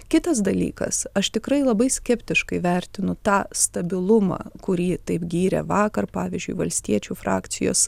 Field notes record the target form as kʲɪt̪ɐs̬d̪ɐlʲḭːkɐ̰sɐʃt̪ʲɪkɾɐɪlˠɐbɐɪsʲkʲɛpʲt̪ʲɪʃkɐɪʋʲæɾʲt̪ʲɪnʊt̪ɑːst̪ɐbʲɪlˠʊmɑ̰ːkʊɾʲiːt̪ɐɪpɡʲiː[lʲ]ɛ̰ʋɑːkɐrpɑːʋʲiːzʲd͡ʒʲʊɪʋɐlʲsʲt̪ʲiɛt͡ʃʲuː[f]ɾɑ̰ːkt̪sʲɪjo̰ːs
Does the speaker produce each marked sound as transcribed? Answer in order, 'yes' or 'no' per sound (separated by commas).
no, yes